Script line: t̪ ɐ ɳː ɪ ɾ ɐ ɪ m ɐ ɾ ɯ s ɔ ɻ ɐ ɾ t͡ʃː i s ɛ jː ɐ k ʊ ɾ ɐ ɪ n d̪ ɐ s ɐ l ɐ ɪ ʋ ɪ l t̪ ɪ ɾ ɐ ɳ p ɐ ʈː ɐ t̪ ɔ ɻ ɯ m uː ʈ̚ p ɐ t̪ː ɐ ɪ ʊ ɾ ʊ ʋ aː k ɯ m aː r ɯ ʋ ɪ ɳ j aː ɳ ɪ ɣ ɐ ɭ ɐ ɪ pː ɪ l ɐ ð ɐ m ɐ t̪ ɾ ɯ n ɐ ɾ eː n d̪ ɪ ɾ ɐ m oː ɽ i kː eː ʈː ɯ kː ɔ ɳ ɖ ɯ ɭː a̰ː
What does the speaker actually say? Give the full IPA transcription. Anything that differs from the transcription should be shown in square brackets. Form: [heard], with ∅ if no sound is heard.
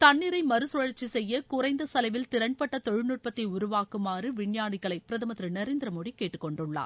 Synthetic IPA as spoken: t̪ ɐ ɳː ɪ ɾ ɐ ɪ m ɐ ɾ ɯ s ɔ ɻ ɐ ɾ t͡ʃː i s ɛ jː ɐ k ʊ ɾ ɐ ɪ n d̪ ɐ s ɐ l ɐ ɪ ʋ ɪ l t̪ ɪ ɾ ɐ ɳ p ɐ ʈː ɐ t̪ ɔ ɻ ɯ [n] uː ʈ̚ p ɐ t̪ː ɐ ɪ ʊ ɾ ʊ ʋ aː k ɯ m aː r ɯ ʋ ɪ ɳ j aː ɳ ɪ ɣ ɐ ɭ ɐ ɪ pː ɪ [ɾ] ɐ ð ɐ m ɐ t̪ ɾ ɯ n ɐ ɾ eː n d̪ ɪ ɾ ɐ m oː ɽ i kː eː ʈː ɯ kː ɔ ɳ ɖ ɯ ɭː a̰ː